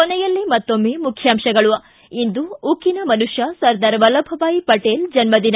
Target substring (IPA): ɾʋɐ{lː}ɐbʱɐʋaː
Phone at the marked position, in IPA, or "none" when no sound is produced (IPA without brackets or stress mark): l